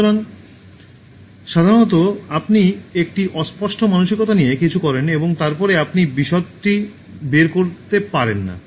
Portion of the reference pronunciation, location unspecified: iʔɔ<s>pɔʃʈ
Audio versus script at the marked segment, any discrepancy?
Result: no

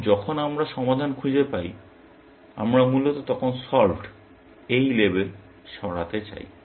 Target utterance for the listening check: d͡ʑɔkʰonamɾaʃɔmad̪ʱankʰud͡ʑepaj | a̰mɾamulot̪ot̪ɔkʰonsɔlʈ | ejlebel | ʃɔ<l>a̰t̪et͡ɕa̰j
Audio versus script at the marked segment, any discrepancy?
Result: yes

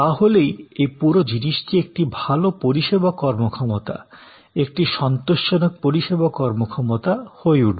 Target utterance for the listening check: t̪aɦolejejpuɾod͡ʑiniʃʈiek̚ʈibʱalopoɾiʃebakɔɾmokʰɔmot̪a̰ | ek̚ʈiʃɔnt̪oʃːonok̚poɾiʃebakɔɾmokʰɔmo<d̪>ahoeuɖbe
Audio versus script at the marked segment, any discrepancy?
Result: yes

